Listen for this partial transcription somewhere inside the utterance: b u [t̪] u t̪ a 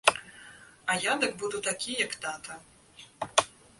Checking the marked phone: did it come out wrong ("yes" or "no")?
yes